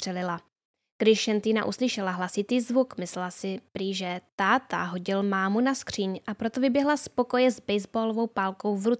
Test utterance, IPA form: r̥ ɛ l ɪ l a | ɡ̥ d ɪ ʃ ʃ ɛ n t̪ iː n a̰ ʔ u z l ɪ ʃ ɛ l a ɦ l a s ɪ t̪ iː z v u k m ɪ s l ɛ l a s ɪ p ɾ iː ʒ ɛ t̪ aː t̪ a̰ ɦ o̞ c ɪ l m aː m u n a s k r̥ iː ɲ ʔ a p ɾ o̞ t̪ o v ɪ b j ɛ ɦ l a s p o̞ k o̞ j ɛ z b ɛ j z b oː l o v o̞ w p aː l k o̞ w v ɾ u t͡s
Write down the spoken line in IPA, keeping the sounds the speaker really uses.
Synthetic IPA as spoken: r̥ ɛ l ɪ l a | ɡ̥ d ɪ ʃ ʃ ɛ n t̪ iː n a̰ ʔ u s l ɪ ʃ ɛ l a ɦ l a s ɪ t̪ iː z v u k m ɪ s l ɛ l a s ɪ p ɾ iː ʒ ɛ t̪ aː t̪ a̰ ɦ o̞ ɟ ɪ l m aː m u n a s k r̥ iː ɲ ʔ a p ɾ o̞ t̪ o v ɪ b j ɛ ɦ l a s p o̞ k o̞ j ɛ z b ɛ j z b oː l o v o̞ w p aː l k o̞ w v ɾ u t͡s